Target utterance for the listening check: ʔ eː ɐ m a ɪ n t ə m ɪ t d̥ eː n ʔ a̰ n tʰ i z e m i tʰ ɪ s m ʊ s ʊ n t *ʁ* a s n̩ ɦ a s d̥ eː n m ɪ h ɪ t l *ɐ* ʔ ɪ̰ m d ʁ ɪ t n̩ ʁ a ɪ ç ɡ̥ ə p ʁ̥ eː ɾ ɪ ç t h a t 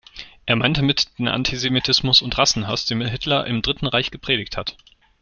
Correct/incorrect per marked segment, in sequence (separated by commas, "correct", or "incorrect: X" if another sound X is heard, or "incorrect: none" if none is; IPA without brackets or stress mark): correct, correct